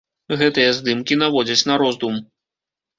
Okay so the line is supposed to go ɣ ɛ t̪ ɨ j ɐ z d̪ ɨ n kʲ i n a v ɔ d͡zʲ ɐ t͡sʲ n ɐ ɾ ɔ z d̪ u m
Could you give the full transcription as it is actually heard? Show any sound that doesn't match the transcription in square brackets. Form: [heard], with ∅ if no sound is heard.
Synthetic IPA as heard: ɣ ɛ t̪ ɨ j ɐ z d̪ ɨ [m] kʲ i n a v ɔ d͡zʲ ɐ t͡sʲ n ɐ ɾ ɔ z d̪ u m